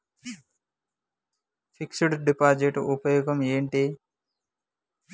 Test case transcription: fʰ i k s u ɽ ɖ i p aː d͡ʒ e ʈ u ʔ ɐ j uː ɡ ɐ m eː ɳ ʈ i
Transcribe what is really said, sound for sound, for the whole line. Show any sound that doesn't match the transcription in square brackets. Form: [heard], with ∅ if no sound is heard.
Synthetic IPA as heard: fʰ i k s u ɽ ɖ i p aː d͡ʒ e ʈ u [p] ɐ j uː ɡ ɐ m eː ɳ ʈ i